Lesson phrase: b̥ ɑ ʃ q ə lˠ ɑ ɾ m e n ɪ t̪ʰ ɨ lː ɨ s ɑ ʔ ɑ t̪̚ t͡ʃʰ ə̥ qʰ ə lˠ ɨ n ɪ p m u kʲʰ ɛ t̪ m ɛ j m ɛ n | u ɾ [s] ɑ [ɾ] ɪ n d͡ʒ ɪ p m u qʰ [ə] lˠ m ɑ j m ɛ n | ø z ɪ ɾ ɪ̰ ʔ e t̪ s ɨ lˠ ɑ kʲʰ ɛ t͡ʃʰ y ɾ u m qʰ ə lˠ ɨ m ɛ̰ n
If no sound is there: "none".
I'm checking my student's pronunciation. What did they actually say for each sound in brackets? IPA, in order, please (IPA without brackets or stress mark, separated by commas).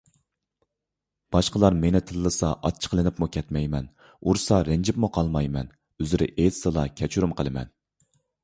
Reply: s, ɾ, ɑ